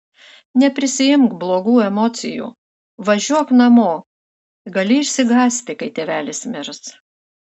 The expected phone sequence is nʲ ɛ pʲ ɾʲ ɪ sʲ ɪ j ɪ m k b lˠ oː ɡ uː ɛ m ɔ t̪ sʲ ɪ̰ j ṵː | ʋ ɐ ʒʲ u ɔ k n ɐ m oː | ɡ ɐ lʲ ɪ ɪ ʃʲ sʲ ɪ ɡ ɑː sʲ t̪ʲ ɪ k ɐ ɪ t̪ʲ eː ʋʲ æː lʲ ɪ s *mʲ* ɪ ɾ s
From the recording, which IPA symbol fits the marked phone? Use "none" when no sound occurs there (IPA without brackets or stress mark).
mʲ